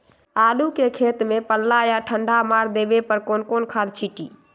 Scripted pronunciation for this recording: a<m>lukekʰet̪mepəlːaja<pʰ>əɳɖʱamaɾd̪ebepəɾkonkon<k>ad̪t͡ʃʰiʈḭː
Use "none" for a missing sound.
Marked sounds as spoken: none, ʈʰ, kʰ

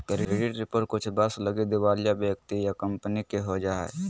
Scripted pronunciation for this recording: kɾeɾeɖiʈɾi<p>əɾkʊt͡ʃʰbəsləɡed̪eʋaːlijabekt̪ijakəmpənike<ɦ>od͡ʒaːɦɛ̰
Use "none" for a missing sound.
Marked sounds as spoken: p, ɦ

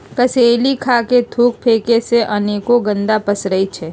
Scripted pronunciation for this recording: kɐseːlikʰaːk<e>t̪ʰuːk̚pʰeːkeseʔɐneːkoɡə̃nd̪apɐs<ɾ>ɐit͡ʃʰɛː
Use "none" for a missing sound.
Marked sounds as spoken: e, ɾ

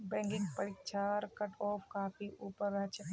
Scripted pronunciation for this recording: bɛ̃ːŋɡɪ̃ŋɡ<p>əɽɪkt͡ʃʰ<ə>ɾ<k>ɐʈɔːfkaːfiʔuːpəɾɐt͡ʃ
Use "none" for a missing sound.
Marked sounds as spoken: p, a, k

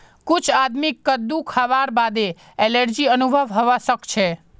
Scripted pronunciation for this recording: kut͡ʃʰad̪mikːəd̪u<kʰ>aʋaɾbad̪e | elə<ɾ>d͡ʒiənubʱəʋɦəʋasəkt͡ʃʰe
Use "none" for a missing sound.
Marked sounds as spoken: kʰ, ɾ

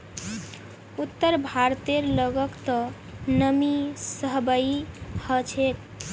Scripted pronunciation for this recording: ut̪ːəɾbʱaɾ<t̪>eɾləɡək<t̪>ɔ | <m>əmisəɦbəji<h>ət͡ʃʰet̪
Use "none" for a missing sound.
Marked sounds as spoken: t̪, t̪, n, h

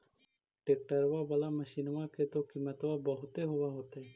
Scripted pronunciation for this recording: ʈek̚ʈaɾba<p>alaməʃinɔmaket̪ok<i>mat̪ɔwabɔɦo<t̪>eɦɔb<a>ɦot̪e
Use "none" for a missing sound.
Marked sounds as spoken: b, i, t̪, a

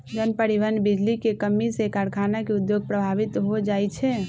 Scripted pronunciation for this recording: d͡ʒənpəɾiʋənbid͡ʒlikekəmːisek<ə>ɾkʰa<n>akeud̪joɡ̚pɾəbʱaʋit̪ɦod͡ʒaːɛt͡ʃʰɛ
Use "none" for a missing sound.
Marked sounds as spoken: a, n

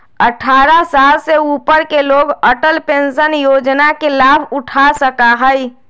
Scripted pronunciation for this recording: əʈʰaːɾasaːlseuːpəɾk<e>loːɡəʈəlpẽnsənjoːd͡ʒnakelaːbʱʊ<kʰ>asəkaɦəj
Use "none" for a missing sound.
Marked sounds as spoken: e, ʈʰ

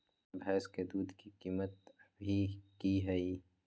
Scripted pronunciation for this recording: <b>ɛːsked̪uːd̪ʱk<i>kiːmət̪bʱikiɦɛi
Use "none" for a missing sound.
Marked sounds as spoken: b, i

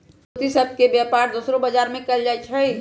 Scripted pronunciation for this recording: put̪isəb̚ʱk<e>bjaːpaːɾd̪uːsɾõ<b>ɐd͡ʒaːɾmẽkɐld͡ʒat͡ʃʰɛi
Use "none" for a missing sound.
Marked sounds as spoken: e, b

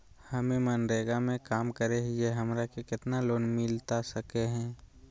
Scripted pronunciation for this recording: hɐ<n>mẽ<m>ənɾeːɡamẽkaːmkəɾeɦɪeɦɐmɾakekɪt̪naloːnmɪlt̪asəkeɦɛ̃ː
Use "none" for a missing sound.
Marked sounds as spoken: none, m

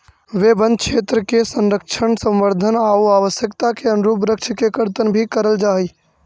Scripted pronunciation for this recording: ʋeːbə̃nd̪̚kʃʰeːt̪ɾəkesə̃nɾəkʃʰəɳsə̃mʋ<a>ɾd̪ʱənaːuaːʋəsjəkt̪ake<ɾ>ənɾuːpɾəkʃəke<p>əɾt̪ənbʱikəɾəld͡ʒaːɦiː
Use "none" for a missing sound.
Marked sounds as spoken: ə, none, k

